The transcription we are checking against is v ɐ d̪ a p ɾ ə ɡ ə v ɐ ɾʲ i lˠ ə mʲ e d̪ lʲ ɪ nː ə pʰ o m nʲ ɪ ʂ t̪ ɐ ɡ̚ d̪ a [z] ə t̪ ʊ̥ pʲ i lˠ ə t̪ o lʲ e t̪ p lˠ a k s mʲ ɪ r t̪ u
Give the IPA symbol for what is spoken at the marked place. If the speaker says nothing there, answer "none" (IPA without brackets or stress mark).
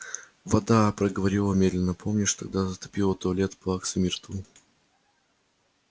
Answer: z